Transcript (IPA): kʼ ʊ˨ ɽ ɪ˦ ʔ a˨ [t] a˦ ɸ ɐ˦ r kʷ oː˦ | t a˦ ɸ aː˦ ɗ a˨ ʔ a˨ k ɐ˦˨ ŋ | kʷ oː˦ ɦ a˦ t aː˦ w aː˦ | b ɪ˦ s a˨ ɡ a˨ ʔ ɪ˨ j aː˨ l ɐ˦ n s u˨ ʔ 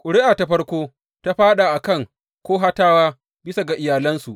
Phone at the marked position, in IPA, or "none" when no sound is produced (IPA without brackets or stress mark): t